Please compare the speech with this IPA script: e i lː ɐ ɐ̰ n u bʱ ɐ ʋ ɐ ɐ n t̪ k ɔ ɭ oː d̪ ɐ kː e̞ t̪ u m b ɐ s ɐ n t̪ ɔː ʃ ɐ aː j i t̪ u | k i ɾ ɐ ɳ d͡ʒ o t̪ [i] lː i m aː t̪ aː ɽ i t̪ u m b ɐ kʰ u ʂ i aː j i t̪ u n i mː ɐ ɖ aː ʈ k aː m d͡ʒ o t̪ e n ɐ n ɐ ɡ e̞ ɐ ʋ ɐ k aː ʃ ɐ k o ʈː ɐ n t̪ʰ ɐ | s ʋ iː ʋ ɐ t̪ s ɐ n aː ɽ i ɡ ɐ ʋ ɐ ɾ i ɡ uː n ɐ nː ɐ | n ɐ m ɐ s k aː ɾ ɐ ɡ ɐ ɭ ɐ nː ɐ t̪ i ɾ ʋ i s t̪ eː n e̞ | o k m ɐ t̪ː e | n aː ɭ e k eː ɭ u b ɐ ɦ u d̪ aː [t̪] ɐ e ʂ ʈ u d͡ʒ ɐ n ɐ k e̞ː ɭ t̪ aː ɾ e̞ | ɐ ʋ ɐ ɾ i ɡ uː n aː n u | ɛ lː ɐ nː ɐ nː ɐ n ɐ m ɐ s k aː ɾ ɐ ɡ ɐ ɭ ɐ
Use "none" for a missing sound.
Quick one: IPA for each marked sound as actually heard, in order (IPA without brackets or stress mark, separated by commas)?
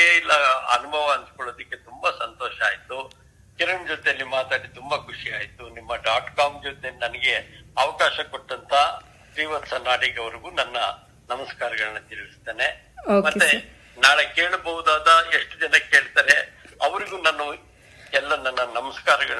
e, d̪